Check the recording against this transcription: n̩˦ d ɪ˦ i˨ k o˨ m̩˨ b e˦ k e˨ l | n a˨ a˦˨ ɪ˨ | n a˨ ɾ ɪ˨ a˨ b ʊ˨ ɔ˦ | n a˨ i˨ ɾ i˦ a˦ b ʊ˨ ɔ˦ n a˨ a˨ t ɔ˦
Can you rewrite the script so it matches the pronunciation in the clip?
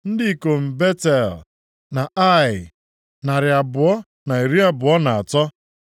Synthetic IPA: n̩˦ d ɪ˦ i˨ k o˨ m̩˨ b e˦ t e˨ l | n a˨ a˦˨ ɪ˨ | n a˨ ɾ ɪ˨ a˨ b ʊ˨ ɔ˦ | n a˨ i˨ ɾ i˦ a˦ b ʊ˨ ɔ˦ n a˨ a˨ t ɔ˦